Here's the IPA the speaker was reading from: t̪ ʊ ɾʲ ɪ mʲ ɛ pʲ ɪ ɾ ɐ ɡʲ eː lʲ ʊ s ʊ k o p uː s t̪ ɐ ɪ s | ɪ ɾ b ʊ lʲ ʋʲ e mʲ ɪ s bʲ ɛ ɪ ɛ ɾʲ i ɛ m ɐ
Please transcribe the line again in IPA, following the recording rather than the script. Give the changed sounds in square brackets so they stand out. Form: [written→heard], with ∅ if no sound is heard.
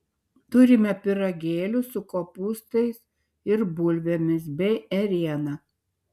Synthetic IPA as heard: t̪ ʊ ɾʲ ɪ mʲ ɛ pʲ ɪ ɾ ɐ ɡʲ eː lʲ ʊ s ʊ k o p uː s t̪ ɐ ɪ s | ɪ ɾ b ʊ lʲ ʋʲ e mʲ ɪ s bʲ ɛ ɪ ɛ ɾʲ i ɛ [m→n] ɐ